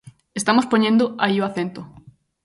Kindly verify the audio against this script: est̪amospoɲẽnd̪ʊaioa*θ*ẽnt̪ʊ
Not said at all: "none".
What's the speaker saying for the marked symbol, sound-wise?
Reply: θ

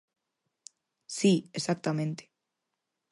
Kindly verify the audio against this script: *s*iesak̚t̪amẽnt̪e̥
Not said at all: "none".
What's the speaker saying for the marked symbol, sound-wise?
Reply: s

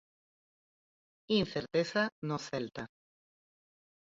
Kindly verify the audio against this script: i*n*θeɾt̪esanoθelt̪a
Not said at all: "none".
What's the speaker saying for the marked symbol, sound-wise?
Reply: n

